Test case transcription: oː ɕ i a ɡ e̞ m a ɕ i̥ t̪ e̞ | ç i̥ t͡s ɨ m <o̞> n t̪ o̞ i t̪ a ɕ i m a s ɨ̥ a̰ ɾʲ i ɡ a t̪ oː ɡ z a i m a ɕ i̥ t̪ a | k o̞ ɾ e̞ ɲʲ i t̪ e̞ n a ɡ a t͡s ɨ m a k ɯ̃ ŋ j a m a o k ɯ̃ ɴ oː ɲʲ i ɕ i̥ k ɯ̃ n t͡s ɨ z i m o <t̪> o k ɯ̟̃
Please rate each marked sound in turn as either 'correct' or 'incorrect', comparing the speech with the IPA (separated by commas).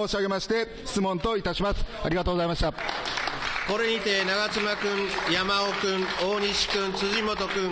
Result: incorrect, correct